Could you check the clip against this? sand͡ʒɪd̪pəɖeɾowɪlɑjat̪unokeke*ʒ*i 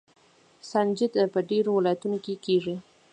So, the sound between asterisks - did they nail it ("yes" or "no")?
no